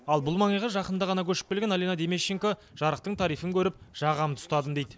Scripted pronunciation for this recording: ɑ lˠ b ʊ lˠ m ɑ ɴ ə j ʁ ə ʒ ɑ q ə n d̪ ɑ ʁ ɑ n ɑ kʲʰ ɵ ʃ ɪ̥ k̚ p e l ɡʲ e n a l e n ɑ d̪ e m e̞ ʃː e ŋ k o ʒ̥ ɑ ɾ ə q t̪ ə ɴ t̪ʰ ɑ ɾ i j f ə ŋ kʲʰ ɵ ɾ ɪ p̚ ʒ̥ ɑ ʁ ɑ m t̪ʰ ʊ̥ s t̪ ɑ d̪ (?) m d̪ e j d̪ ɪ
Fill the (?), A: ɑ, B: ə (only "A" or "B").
B